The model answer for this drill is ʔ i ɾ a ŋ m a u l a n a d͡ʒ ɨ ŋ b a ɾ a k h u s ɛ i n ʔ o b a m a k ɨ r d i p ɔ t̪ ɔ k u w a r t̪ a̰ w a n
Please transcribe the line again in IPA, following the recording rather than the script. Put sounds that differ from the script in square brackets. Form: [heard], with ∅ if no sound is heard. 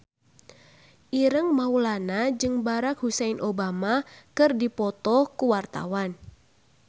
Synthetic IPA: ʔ i ɾ [ə] ŋ m a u l a n a d͡ʒ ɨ ŋ b a ɾ a k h u s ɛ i n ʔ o b a m a k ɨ r d i p ɔ t̪ ɔ k u w a r t̪ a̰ w a n